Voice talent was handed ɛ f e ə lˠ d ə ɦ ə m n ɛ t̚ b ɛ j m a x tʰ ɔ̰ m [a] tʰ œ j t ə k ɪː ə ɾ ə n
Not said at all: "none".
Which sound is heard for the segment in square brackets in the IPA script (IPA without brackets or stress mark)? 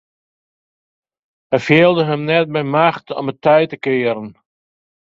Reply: ə